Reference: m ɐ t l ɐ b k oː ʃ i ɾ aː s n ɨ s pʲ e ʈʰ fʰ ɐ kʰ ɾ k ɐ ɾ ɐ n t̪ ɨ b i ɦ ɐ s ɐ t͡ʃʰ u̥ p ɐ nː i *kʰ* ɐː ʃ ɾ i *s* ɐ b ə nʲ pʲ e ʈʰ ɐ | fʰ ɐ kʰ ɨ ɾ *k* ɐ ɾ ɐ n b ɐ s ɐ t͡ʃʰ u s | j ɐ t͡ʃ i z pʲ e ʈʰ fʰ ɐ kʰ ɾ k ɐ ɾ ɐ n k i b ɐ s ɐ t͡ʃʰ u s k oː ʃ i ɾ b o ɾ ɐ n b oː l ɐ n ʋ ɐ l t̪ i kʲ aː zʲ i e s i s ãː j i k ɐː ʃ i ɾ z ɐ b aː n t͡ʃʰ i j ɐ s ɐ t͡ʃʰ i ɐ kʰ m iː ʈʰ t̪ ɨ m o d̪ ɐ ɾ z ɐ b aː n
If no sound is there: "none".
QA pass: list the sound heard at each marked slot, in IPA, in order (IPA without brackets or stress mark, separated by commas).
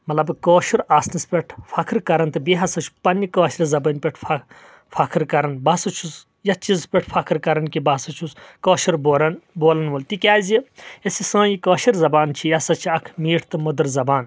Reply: k, z, k